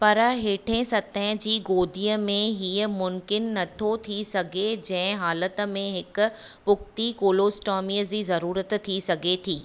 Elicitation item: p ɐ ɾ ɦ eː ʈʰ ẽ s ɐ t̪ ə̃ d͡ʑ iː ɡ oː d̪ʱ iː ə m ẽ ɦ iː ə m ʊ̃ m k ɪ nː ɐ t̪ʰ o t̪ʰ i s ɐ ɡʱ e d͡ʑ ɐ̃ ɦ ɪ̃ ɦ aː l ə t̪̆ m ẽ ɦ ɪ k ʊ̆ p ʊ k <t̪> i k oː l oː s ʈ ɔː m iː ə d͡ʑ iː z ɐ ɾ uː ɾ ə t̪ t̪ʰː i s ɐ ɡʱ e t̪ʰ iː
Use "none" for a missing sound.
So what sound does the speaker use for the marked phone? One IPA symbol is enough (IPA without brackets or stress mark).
t̪